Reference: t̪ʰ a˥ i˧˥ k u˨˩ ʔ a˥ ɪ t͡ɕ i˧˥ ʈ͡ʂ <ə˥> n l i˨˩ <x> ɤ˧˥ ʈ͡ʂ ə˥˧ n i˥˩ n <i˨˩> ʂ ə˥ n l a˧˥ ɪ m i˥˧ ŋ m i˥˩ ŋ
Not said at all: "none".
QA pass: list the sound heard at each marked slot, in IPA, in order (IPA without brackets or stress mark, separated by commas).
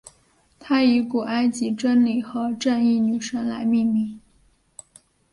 ə˥, x, y˨˩